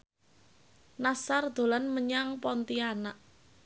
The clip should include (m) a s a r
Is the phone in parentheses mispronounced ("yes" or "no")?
yes